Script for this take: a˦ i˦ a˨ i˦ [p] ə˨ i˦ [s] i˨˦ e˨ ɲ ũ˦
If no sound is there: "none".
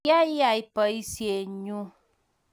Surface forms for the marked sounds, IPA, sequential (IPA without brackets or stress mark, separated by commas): p, s